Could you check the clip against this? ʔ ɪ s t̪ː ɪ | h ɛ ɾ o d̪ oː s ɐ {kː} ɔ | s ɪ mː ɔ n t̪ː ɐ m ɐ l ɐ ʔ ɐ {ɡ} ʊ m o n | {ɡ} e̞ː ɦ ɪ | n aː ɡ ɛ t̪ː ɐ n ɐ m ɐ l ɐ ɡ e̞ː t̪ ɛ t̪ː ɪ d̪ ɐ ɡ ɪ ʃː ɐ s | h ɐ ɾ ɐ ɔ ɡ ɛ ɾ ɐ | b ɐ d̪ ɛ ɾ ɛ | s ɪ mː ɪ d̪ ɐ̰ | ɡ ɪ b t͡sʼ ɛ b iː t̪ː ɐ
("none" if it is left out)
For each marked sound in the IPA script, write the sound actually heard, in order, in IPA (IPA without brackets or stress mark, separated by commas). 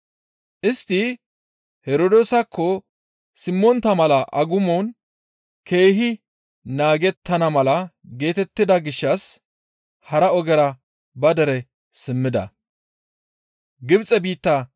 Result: kː, ɡ, k